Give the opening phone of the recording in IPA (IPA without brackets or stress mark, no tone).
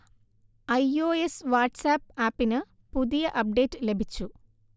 ɐ